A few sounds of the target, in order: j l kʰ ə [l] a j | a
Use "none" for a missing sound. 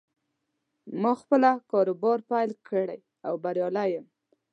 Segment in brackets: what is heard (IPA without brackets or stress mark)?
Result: ɽ